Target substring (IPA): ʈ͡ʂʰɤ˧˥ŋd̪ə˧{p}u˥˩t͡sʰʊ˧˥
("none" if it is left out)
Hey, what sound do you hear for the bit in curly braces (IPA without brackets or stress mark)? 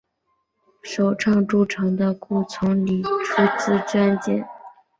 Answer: k